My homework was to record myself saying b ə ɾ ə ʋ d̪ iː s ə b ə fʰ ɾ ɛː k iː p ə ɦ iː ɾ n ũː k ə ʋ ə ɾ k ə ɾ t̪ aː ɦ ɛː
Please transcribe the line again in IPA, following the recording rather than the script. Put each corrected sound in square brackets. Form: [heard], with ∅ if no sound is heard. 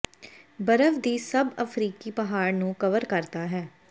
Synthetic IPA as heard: b ə ɾ ə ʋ d̪ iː s ə b ə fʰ ɾ [iː] k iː p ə ɦ [aː] ɾ n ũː k ə ʋ ə ɾ k ə ɾ t̪ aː ɦ ɛː